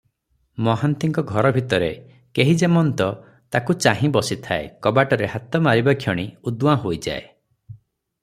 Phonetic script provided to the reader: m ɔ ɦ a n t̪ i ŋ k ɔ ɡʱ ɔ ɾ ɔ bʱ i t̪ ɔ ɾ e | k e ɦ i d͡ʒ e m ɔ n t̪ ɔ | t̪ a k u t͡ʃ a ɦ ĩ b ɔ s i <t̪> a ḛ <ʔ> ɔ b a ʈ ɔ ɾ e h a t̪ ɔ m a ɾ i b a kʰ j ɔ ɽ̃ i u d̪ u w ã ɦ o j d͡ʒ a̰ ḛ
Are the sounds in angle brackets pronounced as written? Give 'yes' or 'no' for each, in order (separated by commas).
no, no